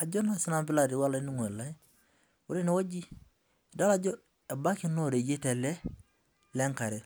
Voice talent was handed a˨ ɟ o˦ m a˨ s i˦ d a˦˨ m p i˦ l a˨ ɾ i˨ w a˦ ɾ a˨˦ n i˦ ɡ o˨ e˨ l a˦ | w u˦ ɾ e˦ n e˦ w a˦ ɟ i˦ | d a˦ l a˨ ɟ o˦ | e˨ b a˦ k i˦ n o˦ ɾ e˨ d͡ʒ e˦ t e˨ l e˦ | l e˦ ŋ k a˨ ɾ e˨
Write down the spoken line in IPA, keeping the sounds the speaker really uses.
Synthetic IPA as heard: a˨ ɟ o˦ n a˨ s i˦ n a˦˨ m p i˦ l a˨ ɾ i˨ w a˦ l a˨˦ n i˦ ŋ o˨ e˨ l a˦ | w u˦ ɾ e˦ n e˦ w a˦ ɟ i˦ | d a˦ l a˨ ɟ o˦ | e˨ b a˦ k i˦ n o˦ ɾ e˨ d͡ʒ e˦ t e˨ l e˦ | l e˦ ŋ k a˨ ɾ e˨